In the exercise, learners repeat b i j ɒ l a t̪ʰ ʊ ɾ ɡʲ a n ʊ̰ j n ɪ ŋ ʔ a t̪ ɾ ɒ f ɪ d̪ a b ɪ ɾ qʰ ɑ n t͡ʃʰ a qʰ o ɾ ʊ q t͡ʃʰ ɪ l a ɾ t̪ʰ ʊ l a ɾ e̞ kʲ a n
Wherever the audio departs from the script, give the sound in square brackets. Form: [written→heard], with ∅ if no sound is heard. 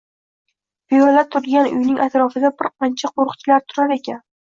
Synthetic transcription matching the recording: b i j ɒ l a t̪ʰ ʊ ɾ ɡʲ a n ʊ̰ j n ɪ ŋ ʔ a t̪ ɾ ɒ f ɪ d̪ a b ɪ ɾ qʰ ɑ n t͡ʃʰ a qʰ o ɾ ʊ q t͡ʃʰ ɪ l a ɾ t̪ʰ ʊ [l→ɾ] a ɾ e̞ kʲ a n